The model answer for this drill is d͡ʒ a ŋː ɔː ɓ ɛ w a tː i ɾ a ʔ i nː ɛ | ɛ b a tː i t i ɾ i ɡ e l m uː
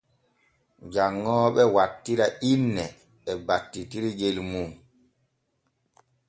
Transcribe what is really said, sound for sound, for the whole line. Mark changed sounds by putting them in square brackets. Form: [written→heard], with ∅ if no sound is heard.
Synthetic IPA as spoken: d͡ʒ a ŋː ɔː ɓ ɛ w a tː i ɾ a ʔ i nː ɛ | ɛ b a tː i t i ɾ i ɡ e l m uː